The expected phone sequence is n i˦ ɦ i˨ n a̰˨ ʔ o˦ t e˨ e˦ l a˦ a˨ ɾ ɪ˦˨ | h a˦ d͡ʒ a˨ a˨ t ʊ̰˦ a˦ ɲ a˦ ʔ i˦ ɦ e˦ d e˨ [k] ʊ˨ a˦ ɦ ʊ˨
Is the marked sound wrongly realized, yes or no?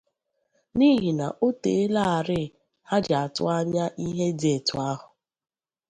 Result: yes